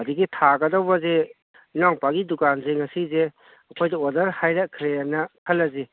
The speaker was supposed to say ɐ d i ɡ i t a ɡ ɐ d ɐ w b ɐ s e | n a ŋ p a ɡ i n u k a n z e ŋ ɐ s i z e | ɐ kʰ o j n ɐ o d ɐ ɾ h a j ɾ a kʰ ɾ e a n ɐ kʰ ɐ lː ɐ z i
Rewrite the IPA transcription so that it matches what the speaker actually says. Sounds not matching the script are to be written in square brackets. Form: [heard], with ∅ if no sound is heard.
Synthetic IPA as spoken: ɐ d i ɡ i [tʰ] a ɡ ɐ d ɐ w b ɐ [z] e | n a ŋ p a ɡ i [d] u k a n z e ŋ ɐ s i z e | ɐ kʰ o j [d] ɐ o d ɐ ɾ h a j ɾ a kʰ ɾ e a n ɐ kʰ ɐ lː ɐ z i

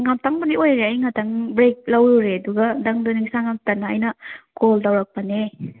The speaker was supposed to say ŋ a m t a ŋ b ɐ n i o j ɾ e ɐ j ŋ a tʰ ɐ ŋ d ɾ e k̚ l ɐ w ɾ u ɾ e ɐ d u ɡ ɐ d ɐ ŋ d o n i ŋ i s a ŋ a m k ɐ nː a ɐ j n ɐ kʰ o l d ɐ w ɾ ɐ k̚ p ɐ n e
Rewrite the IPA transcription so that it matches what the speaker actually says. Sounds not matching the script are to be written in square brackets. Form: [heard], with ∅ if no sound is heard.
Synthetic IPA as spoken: ŋ a m t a ŋ b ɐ n i o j ɾ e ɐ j ŋ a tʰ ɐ ŋ [b] ɾ e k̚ l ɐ w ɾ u ɾ e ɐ d u ɡ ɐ d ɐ ŋ d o n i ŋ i s a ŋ a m [t] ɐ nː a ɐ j n ɐ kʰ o l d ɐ w ɾ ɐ k̚ p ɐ n e

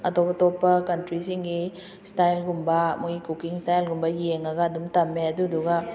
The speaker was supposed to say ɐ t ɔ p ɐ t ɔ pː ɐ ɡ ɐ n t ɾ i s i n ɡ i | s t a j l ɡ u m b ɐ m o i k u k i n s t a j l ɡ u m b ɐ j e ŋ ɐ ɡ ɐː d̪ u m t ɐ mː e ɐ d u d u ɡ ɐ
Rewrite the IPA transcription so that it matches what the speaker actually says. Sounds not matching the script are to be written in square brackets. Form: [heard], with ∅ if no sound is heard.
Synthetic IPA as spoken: ɐ t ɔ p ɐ t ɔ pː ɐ [k] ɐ n t ɾ i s i [ŋ] ɡ i | s t a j l ɡ u m b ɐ m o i k u k i [ŋ] s t a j l ɡ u m b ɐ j e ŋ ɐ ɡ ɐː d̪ u m t ɐ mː e ɐ d u d u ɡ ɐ

